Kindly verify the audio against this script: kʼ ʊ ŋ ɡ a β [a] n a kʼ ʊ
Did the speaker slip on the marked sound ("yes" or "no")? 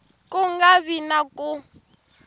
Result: yes